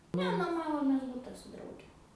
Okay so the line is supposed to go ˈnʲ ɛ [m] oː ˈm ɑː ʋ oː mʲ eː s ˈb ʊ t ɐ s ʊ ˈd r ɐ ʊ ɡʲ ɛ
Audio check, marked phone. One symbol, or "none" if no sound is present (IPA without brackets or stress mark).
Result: n